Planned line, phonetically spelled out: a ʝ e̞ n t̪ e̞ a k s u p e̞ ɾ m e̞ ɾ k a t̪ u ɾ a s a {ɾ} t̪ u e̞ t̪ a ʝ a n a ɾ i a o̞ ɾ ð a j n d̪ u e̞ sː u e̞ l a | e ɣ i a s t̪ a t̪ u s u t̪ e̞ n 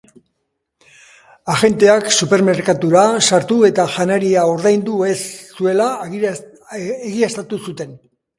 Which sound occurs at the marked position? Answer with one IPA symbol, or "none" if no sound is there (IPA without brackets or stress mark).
ɾ